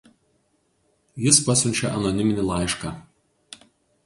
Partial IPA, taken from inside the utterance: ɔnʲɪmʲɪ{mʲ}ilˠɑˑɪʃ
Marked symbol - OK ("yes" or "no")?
no